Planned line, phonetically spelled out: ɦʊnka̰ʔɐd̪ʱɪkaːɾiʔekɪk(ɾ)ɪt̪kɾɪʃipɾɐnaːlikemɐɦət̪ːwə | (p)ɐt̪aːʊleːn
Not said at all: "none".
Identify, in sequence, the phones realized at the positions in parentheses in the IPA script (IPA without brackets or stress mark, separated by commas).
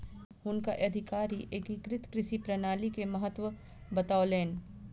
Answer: ɾ, b